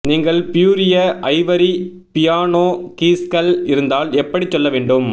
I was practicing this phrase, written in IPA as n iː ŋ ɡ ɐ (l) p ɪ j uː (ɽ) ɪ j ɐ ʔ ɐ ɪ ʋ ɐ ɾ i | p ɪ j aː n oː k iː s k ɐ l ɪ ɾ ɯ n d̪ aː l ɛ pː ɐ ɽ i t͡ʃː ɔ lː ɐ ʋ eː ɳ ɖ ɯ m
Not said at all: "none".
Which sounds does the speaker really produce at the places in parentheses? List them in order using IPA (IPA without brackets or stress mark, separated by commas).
ɭ, ɾ